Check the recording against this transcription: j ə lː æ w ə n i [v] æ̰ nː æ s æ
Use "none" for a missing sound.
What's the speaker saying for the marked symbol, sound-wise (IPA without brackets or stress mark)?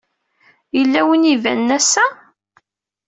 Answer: v